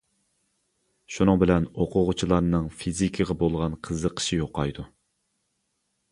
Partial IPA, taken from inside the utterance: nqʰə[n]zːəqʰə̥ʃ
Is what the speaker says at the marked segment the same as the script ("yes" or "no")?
no